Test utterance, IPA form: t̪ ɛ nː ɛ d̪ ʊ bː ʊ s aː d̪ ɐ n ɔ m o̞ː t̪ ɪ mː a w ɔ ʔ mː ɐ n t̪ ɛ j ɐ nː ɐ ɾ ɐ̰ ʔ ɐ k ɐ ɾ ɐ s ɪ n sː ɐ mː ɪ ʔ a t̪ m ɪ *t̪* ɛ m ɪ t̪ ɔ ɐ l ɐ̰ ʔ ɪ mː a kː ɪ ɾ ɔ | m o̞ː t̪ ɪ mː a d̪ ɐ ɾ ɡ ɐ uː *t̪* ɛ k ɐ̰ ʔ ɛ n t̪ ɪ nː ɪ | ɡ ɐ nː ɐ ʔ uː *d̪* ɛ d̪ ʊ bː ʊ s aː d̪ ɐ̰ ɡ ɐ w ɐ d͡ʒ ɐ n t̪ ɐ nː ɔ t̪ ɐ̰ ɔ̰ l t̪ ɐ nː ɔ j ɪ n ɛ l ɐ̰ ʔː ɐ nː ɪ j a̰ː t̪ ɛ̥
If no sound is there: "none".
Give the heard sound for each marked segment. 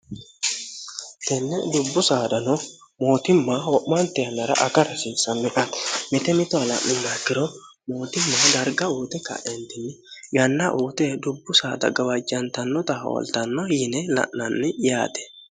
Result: t̪, t̪, t̪

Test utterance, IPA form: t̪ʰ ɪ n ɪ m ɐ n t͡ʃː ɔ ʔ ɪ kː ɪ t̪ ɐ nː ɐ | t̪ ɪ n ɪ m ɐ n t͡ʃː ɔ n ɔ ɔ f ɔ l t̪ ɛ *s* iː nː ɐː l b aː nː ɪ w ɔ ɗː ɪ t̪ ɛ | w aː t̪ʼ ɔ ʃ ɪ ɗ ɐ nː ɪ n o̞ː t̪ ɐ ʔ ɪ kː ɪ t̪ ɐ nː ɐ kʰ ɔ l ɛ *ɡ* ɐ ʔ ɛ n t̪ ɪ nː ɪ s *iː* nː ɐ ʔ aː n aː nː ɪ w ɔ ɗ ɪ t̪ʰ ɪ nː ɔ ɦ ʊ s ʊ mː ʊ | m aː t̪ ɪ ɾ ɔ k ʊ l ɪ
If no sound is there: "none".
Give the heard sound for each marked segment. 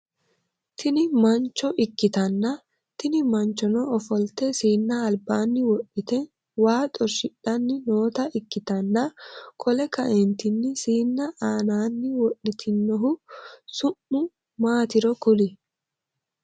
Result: s, k, iː

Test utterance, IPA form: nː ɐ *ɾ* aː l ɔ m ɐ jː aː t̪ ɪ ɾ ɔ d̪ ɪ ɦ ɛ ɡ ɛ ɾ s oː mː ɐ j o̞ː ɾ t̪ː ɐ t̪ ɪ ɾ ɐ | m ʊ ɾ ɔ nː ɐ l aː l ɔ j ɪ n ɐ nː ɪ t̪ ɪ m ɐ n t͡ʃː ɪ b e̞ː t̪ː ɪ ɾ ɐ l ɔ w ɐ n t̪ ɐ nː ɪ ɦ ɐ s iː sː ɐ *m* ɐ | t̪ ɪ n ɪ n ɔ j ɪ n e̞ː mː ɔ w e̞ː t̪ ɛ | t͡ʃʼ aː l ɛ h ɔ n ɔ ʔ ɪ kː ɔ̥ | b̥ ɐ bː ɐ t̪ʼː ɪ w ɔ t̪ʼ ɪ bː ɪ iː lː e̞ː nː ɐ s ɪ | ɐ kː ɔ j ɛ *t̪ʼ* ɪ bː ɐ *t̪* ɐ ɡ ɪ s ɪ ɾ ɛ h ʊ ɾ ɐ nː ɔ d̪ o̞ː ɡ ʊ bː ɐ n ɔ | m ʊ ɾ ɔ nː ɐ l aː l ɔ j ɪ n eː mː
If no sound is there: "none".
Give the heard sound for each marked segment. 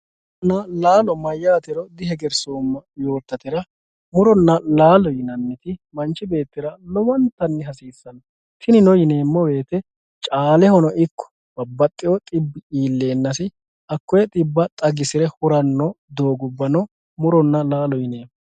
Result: l, n, t̪ʼ, t̪ʼ

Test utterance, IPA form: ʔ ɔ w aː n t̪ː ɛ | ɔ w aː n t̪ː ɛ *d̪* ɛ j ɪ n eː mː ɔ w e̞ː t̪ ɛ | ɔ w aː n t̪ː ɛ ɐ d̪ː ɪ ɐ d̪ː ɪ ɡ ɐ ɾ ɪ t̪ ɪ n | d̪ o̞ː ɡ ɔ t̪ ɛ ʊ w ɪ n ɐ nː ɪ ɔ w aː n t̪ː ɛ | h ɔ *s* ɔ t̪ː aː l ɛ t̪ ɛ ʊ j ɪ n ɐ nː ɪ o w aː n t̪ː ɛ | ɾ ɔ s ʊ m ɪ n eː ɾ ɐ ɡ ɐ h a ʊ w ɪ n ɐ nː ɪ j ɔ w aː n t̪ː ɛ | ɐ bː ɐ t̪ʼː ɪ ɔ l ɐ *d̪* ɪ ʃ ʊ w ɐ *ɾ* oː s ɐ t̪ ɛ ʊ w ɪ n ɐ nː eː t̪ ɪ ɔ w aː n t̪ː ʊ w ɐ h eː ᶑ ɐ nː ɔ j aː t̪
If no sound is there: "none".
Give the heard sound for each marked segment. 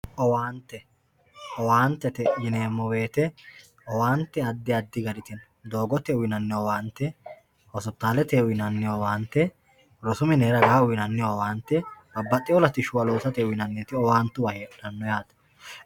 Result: t̪, s, t̪, l

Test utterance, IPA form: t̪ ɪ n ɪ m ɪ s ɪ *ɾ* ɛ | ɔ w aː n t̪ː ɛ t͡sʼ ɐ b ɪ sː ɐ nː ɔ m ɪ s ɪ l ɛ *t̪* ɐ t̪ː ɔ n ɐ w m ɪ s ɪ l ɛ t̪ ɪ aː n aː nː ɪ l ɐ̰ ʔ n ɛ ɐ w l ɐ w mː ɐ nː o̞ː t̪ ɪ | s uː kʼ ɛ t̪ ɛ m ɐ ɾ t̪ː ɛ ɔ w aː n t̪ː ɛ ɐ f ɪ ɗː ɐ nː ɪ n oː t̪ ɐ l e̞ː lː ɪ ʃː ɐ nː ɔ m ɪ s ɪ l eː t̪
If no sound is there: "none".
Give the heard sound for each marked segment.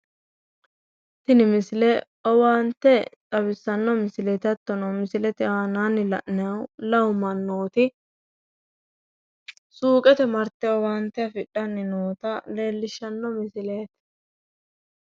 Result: l, t̪

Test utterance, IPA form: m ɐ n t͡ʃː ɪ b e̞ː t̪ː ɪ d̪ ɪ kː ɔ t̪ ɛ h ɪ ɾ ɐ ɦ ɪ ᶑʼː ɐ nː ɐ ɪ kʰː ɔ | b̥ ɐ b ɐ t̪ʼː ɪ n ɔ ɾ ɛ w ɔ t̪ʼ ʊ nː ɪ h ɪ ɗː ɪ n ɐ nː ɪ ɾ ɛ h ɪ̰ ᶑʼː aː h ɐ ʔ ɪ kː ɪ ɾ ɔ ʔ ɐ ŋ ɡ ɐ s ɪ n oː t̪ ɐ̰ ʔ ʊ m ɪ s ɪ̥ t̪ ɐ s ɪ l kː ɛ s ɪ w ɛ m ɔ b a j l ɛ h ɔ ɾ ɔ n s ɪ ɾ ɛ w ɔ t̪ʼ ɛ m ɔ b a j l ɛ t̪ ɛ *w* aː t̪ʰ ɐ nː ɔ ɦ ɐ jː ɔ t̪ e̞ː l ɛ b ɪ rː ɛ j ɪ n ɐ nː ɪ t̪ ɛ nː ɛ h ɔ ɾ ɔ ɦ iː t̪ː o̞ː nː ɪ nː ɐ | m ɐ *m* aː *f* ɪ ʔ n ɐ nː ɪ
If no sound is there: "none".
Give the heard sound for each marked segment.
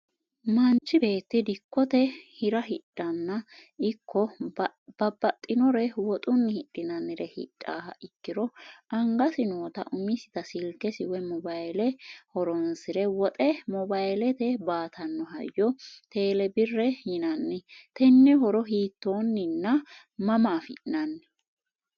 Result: b, m, f

